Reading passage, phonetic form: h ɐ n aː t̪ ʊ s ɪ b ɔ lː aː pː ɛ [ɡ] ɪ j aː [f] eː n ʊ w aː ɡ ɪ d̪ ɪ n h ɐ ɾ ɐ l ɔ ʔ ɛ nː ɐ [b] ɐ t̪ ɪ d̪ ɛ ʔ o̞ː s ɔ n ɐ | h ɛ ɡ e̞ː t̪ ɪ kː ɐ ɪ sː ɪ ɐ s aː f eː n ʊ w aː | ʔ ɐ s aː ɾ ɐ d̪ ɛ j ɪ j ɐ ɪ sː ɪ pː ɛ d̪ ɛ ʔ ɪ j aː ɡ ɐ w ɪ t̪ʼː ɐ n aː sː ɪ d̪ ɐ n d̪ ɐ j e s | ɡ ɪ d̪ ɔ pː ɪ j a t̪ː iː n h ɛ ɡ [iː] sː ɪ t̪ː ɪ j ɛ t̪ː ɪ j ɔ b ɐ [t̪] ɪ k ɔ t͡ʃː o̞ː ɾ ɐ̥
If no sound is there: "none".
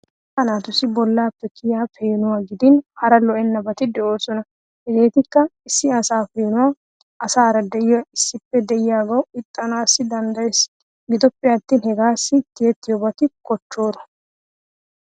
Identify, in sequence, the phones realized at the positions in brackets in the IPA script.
k, f, b, aː, t̪

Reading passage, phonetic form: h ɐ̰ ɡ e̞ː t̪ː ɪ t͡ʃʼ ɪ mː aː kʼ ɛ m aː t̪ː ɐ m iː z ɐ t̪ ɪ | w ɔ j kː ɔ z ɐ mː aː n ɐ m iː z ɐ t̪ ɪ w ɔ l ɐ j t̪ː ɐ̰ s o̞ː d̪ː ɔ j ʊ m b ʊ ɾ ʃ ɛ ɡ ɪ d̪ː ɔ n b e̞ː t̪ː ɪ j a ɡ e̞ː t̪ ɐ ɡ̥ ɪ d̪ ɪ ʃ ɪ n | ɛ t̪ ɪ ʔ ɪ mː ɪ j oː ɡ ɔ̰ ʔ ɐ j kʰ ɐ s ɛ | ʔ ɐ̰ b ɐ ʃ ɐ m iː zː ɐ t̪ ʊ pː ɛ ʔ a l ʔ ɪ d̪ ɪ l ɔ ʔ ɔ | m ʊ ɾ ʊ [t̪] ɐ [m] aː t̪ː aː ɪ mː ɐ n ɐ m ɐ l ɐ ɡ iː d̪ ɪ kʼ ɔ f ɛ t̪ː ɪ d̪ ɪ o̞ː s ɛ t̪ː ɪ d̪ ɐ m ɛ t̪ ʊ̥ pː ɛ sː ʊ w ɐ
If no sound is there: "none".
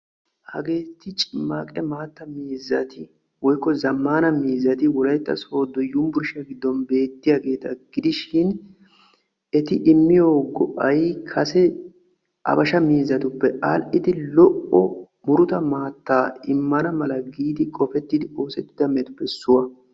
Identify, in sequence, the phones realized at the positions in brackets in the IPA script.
t̪, m

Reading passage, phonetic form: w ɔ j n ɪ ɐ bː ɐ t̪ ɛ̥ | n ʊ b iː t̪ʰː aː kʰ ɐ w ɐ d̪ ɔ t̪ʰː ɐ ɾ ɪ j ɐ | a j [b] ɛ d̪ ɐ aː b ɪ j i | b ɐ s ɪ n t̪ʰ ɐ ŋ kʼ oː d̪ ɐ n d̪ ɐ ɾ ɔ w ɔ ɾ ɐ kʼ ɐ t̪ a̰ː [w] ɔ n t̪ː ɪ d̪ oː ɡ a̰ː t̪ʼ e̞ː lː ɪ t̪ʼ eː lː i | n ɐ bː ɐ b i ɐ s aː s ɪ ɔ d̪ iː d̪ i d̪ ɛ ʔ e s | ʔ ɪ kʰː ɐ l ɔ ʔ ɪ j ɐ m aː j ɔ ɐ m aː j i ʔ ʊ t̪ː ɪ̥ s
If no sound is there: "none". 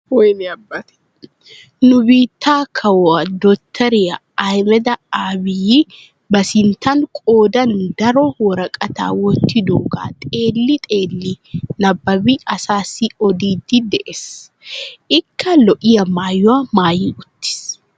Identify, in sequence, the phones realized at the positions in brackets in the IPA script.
m, w

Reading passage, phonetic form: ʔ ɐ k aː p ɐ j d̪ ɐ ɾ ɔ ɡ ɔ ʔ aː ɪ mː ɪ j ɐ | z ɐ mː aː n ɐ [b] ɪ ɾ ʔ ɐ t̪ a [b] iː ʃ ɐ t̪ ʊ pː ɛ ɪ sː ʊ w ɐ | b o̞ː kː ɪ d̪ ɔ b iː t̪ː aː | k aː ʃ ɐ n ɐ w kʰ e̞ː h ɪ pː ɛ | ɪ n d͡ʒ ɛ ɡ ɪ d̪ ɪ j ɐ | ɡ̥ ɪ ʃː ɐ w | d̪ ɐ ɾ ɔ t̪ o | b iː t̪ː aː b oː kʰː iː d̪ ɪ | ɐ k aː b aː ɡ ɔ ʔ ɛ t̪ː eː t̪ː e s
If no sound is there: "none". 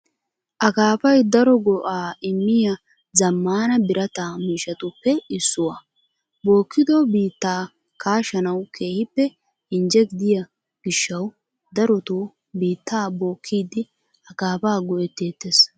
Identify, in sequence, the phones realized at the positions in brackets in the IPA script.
b, m

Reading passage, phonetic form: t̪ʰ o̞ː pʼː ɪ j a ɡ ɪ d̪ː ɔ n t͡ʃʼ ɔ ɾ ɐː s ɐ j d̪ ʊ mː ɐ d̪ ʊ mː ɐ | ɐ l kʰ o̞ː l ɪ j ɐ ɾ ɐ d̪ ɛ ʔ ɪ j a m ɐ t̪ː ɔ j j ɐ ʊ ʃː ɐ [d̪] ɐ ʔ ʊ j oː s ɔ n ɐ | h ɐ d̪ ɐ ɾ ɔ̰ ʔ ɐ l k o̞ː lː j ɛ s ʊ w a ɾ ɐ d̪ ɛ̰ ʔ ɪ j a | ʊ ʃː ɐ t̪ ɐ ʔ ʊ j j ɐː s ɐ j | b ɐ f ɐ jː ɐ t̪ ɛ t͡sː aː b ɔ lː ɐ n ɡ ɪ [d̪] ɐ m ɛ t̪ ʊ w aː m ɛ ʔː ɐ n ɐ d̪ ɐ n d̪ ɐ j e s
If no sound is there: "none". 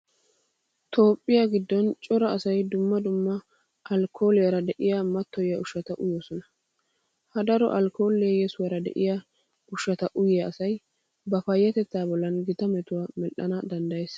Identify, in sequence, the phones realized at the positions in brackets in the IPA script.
t̪, t̪

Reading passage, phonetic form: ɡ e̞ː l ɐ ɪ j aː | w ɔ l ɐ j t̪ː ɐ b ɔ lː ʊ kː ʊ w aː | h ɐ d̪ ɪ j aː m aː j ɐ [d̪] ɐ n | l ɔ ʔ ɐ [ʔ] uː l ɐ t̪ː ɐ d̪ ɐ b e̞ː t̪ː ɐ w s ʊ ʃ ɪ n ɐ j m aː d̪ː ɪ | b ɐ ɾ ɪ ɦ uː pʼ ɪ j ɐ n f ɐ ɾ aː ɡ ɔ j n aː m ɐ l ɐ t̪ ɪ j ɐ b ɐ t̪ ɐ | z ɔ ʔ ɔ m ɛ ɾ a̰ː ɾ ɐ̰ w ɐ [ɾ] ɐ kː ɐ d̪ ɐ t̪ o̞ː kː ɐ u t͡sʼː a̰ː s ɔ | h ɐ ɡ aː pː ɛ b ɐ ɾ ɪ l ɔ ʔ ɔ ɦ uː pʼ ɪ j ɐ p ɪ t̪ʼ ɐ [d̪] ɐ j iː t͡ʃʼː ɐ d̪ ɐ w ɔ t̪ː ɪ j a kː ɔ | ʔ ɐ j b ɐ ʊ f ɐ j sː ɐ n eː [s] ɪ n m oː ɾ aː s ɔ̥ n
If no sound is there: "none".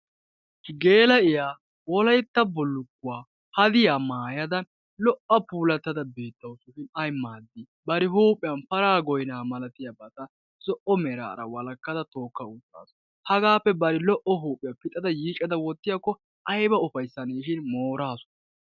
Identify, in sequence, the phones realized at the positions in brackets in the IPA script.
d̪, p, l, d̪, ʃ

